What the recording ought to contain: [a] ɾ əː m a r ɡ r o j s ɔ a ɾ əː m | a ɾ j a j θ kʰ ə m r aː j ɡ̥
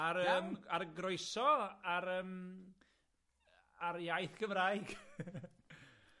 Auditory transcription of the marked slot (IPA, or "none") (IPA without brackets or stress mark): a